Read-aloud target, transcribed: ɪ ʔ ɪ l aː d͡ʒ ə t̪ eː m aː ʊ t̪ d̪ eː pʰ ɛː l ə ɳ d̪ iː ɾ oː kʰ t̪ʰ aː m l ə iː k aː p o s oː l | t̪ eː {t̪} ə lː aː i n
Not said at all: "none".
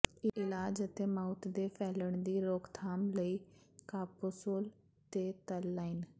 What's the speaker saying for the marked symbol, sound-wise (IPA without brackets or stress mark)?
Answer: t̪